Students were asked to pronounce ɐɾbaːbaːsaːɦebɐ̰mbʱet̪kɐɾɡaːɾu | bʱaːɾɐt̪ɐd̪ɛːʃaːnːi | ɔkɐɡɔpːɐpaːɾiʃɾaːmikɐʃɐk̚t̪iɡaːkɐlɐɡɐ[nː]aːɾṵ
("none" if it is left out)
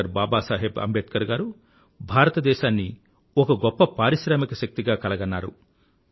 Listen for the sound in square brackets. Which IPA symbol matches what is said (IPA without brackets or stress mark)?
nː